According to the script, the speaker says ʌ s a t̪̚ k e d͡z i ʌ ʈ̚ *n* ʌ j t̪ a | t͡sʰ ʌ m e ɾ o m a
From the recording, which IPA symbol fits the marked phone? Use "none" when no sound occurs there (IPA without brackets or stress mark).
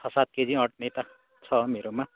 n